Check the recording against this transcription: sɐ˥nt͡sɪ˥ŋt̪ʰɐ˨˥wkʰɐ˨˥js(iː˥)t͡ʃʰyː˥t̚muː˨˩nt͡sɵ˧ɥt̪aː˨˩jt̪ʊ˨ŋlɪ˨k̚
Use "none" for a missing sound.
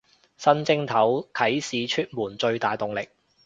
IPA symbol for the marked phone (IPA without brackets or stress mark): iː˨˧